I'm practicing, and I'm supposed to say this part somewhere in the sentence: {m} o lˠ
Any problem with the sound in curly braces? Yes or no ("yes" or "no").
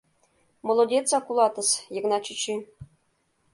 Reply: no